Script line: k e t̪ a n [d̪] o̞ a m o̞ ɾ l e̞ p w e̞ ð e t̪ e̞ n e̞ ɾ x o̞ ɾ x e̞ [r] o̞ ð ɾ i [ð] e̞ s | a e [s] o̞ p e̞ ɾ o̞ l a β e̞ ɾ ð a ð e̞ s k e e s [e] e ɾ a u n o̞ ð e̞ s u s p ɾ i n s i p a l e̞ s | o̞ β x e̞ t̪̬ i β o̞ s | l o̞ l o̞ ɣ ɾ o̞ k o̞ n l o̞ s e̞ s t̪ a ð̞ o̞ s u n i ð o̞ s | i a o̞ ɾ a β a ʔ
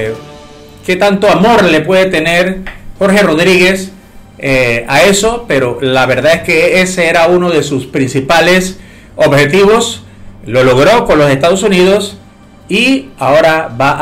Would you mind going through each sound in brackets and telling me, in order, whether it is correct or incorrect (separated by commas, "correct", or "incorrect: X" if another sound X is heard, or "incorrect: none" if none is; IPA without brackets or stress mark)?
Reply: incorrect: t̪, correct, incorrect: ɣ, correct, correct